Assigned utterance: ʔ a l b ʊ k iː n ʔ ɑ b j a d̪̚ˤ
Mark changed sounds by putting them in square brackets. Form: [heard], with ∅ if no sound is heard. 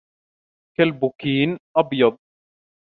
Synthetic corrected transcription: [k] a l b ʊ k iː n ʔ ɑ b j [ɑ] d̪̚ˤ